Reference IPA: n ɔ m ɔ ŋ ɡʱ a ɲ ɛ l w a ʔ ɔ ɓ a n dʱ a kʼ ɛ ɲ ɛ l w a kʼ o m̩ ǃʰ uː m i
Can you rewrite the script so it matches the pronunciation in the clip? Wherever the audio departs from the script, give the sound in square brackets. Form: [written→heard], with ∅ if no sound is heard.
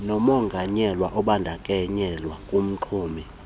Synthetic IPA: n ɔ m ɔ ŋ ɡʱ a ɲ ɛ l w a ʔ ɔ ɓ a n dʱ a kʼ ɛ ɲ ɛ l w a kʼ [o→u] m̩ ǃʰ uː m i